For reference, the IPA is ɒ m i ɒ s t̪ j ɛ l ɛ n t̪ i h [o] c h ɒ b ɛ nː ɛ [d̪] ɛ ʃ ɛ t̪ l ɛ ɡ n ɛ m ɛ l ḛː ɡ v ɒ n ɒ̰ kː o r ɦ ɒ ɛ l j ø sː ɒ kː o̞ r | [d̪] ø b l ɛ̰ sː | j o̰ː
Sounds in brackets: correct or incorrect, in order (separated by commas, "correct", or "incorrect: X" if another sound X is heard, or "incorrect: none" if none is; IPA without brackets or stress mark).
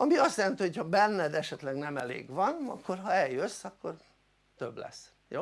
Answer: correct, correct, incorrect: t̪